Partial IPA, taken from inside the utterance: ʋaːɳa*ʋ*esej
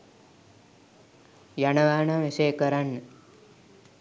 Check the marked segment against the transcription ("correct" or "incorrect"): correct